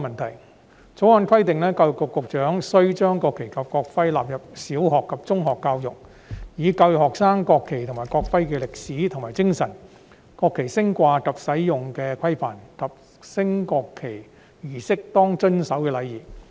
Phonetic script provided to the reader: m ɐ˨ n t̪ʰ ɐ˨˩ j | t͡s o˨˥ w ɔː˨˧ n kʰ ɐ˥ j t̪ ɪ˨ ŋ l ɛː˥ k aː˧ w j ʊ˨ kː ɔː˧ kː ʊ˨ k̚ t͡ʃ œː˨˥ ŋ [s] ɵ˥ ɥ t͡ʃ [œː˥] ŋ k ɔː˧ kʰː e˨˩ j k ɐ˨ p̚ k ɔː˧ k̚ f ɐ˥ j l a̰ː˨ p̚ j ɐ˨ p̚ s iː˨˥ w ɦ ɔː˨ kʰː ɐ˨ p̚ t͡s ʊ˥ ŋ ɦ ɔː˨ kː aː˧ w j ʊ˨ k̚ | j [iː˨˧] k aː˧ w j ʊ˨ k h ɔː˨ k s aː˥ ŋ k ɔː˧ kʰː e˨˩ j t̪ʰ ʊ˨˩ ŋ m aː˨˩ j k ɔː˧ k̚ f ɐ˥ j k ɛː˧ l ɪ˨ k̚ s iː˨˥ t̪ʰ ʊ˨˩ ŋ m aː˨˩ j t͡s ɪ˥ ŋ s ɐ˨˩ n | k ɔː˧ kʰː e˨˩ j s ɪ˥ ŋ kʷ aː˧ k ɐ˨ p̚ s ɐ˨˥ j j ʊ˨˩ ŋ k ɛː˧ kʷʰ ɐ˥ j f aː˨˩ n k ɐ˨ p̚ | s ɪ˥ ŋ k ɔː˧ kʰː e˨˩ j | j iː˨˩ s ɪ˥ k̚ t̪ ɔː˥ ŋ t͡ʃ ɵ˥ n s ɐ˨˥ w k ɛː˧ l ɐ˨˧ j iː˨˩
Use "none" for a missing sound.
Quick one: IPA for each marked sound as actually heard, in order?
s, œː˥, iː˨˧

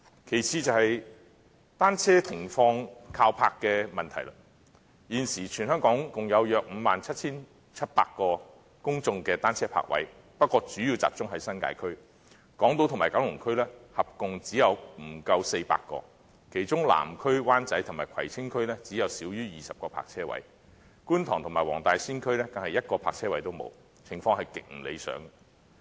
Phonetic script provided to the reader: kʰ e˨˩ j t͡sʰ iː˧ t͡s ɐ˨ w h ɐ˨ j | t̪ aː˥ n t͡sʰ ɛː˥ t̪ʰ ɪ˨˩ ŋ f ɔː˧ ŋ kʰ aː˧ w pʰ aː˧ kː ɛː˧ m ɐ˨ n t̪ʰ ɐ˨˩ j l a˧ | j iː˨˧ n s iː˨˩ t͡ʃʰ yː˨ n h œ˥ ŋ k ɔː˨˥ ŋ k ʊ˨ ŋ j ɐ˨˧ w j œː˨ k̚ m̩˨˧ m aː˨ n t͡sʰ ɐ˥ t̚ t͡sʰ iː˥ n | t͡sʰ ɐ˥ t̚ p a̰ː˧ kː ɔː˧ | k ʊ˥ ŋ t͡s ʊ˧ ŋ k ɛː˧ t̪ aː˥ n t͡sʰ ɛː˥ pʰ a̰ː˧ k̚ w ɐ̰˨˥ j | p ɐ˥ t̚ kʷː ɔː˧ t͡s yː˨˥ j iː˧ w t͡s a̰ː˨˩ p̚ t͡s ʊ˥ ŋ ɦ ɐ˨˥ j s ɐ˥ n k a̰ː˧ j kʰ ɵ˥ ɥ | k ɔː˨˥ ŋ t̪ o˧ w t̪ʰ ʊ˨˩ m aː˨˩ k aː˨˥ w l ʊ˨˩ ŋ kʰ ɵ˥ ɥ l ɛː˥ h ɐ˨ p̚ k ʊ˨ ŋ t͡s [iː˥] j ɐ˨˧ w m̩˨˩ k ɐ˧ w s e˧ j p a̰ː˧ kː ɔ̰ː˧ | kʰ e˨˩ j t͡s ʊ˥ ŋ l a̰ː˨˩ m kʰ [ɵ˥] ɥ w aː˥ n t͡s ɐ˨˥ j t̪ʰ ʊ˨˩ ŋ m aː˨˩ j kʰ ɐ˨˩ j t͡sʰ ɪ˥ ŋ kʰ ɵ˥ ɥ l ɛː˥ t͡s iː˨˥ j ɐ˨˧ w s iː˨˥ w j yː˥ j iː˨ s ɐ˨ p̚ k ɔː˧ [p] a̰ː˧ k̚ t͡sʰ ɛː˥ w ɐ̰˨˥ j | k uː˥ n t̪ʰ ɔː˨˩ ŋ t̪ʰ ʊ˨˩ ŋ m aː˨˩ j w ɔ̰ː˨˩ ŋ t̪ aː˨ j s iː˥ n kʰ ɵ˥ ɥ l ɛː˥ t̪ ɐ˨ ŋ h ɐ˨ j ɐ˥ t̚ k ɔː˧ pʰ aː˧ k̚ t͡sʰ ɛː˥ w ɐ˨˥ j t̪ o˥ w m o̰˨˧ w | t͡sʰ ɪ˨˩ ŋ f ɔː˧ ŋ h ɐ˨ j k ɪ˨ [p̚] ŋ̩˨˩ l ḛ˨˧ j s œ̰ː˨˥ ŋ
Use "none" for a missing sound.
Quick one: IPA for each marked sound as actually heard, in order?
iː˨˥, ɵ˥, pʰ, k̚

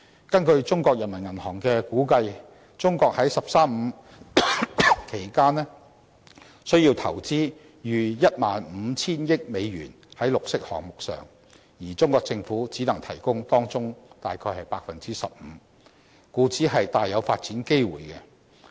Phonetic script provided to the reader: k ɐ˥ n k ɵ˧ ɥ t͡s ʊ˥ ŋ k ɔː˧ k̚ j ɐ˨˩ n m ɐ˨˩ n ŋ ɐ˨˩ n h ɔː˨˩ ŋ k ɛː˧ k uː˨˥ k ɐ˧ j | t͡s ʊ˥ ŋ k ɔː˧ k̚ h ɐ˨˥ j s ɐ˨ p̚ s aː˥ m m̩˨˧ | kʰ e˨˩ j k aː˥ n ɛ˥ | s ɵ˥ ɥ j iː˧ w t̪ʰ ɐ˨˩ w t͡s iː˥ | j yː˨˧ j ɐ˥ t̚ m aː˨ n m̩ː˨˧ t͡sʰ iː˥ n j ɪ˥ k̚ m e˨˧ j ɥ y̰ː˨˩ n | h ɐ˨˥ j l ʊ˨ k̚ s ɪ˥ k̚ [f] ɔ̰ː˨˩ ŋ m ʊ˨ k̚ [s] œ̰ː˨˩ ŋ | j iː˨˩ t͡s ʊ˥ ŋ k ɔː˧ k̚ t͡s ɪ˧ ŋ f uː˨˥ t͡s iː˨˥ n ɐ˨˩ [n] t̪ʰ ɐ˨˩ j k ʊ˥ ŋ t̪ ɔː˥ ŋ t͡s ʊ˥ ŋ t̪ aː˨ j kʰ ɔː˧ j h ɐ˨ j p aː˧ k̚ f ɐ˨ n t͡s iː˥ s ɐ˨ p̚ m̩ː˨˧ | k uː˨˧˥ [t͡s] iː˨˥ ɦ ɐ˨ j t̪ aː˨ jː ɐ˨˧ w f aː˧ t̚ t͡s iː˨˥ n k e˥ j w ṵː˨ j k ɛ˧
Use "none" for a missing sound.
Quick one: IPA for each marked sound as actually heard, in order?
h, s, ŋ, t͡s

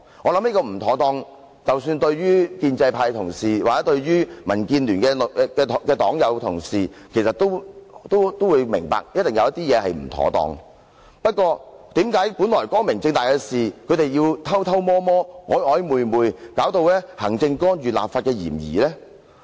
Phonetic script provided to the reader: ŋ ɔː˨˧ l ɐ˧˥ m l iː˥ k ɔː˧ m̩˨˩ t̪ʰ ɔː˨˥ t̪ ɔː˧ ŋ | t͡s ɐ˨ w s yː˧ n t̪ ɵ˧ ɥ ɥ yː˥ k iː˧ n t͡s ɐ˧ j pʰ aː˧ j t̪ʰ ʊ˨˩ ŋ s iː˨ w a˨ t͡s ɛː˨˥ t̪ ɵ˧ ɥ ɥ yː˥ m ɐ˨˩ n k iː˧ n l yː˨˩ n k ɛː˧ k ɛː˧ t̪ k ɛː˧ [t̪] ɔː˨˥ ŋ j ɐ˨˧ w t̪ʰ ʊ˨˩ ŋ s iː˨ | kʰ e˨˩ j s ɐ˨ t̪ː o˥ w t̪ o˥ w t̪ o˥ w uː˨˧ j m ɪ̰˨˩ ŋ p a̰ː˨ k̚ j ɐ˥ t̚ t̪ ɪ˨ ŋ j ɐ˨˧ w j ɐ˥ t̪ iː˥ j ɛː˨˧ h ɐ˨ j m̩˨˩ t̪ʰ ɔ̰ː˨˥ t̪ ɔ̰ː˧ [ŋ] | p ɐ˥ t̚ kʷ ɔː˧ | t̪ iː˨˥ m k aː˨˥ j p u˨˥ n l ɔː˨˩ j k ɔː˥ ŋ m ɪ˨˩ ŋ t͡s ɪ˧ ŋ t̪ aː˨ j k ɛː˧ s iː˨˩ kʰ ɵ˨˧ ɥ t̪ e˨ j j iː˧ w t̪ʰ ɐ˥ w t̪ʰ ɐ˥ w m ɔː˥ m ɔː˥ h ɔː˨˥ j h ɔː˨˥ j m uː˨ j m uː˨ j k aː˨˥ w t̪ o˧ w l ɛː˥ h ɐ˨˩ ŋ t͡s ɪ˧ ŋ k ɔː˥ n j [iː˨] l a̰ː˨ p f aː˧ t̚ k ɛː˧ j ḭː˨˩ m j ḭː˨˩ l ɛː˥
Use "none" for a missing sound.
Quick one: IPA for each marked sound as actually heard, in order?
t̪, ŋ, yː˨

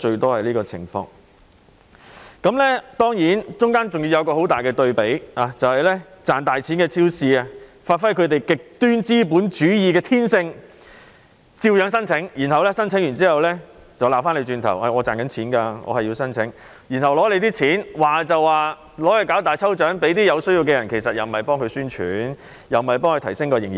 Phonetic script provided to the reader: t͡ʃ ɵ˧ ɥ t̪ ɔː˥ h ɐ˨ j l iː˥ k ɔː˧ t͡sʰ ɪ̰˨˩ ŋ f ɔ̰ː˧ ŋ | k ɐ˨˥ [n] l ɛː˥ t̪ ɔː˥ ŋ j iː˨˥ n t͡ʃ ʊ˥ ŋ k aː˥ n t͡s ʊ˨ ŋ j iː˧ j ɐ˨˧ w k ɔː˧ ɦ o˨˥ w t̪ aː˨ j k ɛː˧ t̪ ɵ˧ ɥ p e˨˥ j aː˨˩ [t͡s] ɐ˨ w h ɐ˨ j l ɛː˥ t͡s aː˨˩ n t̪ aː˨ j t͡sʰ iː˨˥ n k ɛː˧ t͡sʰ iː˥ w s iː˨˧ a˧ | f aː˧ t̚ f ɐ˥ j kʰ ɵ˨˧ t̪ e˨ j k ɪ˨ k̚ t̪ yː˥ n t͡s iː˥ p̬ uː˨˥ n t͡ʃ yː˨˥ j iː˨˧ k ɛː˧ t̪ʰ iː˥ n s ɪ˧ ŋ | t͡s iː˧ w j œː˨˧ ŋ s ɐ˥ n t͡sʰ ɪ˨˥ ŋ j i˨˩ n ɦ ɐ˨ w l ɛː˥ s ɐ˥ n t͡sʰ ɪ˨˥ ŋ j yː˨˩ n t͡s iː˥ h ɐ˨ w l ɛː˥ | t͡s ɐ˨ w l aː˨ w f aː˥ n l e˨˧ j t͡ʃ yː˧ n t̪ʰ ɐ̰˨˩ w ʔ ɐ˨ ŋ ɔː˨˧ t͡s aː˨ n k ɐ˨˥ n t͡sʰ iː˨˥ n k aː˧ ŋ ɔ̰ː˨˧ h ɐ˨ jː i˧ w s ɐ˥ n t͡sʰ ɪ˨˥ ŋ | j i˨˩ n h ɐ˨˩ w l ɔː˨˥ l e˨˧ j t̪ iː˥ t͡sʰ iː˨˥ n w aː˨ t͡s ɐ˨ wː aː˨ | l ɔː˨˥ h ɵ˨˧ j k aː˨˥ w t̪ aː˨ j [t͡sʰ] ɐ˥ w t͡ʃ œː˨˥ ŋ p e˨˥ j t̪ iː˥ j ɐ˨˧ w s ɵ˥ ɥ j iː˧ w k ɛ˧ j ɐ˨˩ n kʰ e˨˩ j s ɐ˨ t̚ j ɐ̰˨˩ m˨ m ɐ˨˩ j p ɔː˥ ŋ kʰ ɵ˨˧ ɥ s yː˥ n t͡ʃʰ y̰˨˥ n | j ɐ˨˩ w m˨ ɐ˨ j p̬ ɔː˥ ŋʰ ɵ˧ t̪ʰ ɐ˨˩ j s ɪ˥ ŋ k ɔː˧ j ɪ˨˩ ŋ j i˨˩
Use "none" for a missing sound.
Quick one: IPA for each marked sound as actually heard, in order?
m, t͡s, t͡sʰ

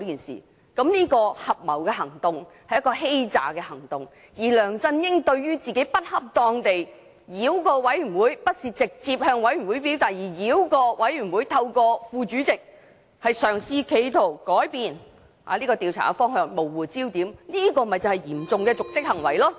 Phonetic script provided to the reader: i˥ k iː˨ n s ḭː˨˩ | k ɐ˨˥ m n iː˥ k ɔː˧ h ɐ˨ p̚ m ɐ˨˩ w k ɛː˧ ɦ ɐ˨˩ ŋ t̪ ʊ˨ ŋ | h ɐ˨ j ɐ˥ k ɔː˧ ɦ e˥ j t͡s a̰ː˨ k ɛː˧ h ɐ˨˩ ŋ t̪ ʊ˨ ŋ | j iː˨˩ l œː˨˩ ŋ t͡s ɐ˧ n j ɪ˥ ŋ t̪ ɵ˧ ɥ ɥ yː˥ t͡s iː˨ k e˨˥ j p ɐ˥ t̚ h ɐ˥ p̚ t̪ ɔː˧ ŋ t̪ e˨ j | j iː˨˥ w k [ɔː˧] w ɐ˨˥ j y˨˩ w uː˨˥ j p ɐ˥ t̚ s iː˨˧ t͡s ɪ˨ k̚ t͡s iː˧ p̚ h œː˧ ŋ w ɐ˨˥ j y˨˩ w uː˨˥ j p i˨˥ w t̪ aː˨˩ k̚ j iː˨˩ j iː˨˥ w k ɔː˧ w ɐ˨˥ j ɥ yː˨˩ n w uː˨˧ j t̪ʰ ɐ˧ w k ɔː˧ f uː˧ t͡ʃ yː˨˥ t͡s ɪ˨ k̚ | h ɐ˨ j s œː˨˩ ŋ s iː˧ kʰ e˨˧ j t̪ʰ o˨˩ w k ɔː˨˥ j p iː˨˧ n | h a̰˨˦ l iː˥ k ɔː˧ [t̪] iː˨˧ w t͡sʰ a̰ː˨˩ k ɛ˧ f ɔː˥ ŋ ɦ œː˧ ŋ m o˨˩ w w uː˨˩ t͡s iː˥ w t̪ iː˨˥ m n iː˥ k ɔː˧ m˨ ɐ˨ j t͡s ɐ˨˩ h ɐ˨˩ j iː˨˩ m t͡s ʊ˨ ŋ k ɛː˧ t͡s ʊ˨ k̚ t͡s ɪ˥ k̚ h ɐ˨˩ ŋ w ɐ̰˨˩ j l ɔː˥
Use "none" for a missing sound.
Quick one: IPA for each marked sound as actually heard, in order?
ɔː˧, t̪

